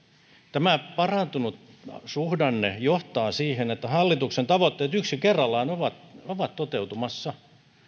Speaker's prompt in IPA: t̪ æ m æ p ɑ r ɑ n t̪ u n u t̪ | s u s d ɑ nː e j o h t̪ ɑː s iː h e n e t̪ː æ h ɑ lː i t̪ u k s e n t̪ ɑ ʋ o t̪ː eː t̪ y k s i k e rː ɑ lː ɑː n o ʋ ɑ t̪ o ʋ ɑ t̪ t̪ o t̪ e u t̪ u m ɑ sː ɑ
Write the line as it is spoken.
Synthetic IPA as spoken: t̪ æ m æ p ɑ r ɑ n t̪ u n u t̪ | s u h d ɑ nː e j o h t̪ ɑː s iː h e n e t̪ː æ h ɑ lː i t̪ u k s e n t̪ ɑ ʋ o t̪ː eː t̪ y k s i k e rː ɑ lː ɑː n o ʋ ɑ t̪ o ʋ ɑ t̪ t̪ o t̪ e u t̪ u m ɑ sː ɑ